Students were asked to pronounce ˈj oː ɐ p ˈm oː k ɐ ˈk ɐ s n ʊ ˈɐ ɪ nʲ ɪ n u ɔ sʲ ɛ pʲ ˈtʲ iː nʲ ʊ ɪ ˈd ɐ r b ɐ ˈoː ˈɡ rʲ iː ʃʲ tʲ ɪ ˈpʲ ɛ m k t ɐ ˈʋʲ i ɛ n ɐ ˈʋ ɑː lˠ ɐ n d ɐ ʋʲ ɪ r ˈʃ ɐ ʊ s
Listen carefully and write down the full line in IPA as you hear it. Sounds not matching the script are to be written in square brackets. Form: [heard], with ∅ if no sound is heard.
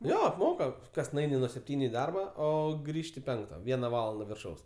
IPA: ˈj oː ɐ p ˈm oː k ɐ ˈk ɐ s n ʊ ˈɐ ɪ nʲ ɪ n u ɔ sʲ ɛ pʲ ˈtʲ iː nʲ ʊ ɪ ˈd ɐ r b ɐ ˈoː ˈɡ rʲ iː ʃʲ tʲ ɪ ˈpʲ ɛ [ŋ] k t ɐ ˈʋʲ i ɛ n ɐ ˈʋ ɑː lˠ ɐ n d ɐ ʋʲ ɪ r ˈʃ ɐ ʊ s